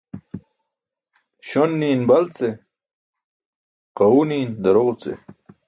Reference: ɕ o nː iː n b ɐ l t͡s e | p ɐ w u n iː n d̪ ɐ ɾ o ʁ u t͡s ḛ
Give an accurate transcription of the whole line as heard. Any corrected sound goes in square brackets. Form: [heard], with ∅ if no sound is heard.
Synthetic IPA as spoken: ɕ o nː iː n b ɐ l t͡s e | [q] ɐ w u n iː n d̪ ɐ ɾ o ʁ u t͡s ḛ